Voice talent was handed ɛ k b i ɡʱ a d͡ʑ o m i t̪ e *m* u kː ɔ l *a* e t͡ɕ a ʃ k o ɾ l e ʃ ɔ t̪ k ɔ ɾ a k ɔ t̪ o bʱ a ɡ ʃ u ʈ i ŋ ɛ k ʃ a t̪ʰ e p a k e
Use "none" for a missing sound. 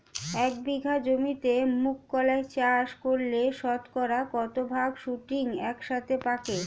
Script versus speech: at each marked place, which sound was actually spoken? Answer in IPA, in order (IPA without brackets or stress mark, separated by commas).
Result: m, a